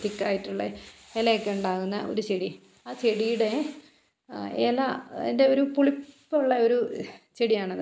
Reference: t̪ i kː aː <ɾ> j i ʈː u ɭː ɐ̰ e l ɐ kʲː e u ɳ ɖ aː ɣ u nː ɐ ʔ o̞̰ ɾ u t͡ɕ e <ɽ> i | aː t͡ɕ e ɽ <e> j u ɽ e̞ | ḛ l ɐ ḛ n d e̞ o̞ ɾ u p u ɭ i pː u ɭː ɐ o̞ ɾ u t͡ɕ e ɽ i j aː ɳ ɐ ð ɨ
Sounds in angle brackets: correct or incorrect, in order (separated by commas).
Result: incorrect, correct, incorrect